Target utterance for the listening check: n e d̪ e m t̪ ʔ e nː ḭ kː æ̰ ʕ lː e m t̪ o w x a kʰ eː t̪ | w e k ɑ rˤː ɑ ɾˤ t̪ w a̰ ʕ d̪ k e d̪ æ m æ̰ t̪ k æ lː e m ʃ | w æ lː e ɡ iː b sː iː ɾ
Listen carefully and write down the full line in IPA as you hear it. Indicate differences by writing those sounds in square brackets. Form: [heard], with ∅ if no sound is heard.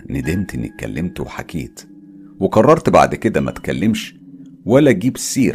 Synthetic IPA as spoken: n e d̪ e m t̪ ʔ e nː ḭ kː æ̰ [∅] lː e m t̪ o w [ħ] a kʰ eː t̪ | w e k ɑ rˤː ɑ ɾˤ t̪ [b] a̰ ʕ d̪ k e d̪ æ m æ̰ t̪ k æ lː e m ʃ | w æ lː [æ] ɡ iː b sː iː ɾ